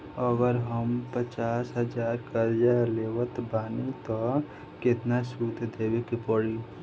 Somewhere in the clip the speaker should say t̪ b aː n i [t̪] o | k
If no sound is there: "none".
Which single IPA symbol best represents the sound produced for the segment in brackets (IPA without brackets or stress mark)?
t̪